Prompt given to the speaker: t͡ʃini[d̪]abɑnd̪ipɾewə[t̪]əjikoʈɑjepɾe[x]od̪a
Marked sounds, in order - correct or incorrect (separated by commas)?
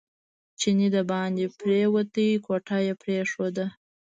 correct, correct, incorrect